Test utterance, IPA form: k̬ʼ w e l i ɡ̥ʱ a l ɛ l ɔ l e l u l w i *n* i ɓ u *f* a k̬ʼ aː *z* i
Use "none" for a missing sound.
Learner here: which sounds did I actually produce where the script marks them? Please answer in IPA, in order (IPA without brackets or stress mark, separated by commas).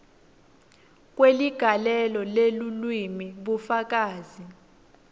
m, f, z